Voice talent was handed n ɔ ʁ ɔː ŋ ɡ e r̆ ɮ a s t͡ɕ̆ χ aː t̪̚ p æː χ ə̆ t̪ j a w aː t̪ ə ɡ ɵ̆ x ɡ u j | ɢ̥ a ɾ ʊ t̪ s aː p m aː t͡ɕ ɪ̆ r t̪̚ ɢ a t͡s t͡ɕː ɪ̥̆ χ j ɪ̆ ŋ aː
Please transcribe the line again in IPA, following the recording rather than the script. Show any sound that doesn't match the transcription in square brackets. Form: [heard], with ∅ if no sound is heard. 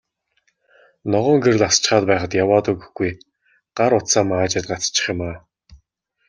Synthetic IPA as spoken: n ɔ ʁ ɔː ŋ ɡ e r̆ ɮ a s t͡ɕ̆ χ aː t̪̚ p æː χ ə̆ t̪ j a w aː t̪ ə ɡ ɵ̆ x ɡ u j | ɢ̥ a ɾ ʊ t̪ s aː [∅] m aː t͡ɕ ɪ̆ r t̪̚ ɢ a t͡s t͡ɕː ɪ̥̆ χ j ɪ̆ [m] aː

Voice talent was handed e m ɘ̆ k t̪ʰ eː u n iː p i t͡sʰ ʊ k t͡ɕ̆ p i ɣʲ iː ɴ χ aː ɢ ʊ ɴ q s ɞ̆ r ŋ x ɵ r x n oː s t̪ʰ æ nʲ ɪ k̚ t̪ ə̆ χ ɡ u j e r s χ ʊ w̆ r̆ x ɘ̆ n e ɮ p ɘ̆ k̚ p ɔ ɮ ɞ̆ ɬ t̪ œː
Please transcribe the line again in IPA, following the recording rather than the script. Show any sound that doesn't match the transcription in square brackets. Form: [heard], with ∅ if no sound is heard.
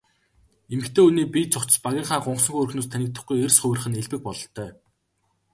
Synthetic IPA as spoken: e m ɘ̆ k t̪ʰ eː u n iː p i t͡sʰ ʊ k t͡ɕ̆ p [a] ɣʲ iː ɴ χ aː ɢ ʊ ɴ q s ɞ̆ [∅] ŋ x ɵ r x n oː s t̪ʰ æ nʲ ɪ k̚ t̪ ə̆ χ ɡ u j e r s χ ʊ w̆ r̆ [χ] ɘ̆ n e ɮ p ɘ̆ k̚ p ɔ ɮ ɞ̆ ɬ t̪ œː

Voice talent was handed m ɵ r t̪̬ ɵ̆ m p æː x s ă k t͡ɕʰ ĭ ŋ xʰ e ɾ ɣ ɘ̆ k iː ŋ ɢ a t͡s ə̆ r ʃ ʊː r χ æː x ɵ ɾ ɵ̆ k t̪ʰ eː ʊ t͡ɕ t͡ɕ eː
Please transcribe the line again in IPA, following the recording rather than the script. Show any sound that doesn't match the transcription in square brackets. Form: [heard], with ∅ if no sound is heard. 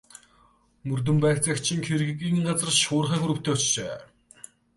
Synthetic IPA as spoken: m ɵ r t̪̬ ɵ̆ m p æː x [t͡s] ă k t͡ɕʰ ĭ ŋ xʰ e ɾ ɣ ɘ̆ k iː ŋ ɢ a t͡s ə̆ r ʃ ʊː r χ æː x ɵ ɾ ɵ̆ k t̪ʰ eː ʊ t͡ɕ t͡ɕ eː

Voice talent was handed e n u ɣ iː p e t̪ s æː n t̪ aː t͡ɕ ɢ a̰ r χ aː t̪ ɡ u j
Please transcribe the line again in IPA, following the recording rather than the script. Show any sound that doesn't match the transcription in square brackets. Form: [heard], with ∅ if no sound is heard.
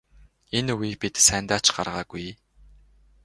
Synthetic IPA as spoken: e n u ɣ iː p [i] t̪ s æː n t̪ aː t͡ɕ ɢ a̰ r [ʁ] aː [∅] ɡ u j

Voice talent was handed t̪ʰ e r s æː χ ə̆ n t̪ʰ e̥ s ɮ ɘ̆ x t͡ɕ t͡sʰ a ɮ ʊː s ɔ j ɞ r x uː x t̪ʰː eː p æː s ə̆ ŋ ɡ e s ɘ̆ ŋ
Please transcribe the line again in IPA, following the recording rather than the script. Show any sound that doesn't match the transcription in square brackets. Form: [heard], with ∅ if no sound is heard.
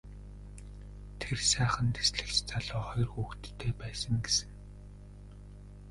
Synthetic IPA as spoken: t̪ʰ e r s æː χ ə̆ n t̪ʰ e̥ s ɮ ɘ̆ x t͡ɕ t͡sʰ a ɮ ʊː [χ] ɔ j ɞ r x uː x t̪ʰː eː p æː s ə̆ ŋ ɡ e s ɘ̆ ŋ

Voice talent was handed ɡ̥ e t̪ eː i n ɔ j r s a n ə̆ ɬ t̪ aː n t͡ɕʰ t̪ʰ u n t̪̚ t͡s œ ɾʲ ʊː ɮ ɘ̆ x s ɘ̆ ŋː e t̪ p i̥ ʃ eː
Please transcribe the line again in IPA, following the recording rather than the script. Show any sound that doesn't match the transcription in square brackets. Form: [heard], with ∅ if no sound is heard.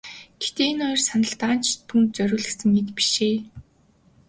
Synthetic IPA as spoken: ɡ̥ e t̪ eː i n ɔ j r s a n ə̆ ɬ t̪ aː n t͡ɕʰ t̪ʰ u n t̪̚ t͡s œ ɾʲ ʊː ɮ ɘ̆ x s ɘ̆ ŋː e t̪ p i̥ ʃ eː

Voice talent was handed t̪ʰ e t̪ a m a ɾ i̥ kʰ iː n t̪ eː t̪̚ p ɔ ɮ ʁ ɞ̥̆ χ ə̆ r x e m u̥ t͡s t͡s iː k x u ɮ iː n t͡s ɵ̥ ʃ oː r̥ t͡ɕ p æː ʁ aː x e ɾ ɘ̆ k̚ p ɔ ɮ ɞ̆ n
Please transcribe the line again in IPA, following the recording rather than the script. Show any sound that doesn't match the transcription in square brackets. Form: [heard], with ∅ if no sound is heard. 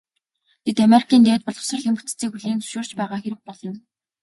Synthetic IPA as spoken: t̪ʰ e t̪ a m [e] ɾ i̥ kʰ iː n t̪ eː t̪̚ p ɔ ɮ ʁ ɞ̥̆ [s] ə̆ r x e m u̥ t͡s t͡s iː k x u ɮ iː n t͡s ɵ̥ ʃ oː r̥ t͡ɕ p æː ʁ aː x e ɾ ɘ̆ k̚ p ɔ ɮ ɞ̆ n

